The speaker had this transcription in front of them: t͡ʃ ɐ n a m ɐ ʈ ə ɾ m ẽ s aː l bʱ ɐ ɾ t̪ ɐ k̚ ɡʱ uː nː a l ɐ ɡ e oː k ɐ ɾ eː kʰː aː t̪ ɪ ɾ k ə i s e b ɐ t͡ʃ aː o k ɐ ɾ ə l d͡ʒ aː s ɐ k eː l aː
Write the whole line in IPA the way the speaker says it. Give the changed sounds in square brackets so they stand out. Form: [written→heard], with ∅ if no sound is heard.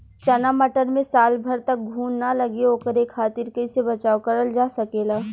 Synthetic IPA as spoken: t͡ʃ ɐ n a m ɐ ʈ ə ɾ m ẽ s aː l bʱ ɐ ɾ t̪ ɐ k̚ ɡʱ uː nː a l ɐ ɡ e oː k [ɐ→ə] ɾ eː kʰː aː t̪ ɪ ɾ k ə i s e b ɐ t͡ʃ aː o k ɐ ɾ ə l d͡ʒ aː s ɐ k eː l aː